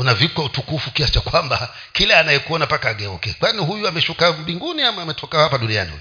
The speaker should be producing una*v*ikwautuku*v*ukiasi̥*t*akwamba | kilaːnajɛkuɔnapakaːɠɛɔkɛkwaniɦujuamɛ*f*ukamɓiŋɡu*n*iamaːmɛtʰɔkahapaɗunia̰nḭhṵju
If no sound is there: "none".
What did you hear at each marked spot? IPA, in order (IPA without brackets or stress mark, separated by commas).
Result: v, f, t͡ʃ, ʃ, n